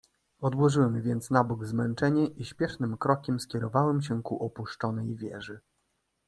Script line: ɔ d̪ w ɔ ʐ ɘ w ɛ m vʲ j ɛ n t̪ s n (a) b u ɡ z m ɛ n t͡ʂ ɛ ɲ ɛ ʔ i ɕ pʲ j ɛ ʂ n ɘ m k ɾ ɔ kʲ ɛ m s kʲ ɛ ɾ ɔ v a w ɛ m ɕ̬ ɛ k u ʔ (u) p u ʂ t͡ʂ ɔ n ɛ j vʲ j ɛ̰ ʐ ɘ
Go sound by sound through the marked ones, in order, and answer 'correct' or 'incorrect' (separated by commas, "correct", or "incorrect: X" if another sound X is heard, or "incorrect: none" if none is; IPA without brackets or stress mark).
correct, incorrect: ɔ